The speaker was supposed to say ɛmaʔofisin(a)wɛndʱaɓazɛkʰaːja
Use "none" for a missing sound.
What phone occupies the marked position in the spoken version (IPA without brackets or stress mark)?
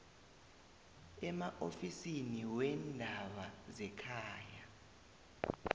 i